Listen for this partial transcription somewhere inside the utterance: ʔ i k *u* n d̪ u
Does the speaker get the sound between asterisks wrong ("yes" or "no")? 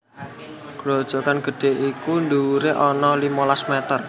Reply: no